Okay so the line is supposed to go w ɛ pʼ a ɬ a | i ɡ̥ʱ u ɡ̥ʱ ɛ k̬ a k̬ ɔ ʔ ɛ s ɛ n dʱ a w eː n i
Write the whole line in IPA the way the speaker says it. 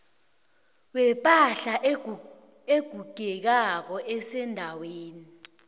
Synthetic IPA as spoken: w ɛ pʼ a ɬ a | e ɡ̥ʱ u ɡ̥ʱ ɛ k̬ a k̬ ɔ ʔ ɛ s ɛ n dʱ a w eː n i

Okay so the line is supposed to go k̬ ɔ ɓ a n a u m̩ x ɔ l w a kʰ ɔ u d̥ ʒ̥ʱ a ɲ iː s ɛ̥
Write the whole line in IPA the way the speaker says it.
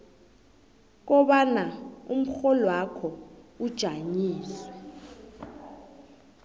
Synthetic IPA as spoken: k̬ ɔ ɓ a n a u m̩ x ɔ l w a kʰ ɔ u d̥ ʒ̥ʱ a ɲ iː s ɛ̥

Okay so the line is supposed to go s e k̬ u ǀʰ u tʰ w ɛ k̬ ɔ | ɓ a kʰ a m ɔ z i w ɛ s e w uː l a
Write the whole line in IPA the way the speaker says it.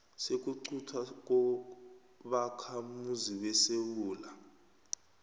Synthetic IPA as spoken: s e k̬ u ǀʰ u tʰ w a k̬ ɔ | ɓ a kʰ a m u z i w ɛ s e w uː l a

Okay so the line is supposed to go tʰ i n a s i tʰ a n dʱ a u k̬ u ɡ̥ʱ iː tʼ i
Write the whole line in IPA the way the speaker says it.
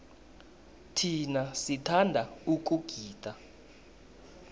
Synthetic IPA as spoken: tʰ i n a s i tʰ a n dʱ a u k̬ u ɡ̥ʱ iː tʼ a

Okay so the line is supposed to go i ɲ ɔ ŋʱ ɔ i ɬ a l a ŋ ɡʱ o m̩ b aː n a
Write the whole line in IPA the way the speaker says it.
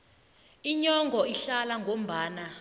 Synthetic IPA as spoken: i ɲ ɔ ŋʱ ɔ i ɬ a l a ŋ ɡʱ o m̩ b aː n a

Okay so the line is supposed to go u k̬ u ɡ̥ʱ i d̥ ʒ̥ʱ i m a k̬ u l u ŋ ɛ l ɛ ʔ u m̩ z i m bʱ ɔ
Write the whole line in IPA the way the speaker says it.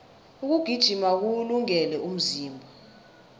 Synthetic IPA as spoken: u k̬ u ɡ̥ʱ i d̥ ʒ̥ʱ i m a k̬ u l u ŋ ɛ l ɛ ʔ u m̩ z iː m bʱ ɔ

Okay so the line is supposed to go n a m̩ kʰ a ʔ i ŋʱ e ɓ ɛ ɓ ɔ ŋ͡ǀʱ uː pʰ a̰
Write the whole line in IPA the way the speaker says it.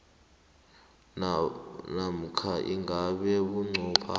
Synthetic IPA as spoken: n a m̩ kʰ a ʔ i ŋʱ a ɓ ɛ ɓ u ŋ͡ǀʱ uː pʰ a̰

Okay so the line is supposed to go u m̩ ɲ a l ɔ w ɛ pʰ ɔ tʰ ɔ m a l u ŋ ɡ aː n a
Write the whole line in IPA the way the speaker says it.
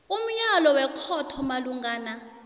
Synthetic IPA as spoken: u m̩ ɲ a l ɔ w ɛ kʰ ɔ tʰ ɔ m a l u ŋ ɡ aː n a

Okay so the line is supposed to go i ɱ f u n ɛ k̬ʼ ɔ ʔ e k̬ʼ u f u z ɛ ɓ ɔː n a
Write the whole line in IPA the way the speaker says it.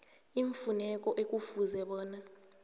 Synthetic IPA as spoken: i ɱ f u n ɛ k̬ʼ ɔ ʔ e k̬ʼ u f u z ɛ ɓ ɔː n a

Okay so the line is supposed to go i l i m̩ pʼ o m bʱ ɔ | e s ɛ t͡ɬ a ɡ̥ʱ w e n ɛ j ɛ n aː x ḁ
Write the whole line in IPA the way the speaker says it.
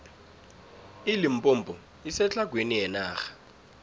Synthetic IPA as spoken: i l i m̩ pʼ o m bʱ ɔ | i s ɛ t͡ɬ a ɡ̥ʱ w e n i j ɛ n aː x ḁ

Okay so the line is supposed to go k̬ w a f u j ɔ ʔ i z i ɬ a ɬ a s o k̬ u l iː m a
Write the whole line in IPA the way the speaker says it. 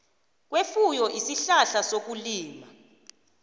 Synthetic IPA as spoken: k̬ w e f u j ɔ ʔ i s i ɬ a ɬ a s o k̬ u l iː m a

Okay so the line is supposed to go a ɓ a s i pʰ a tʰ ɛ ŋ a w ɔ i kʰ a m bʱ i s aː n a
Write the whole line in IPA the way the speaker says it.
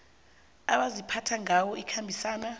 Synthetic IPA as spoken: a ɓ a z i pʰ a tʰ a ŋ a w ɔ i kʰ a m bʱ i s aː n a

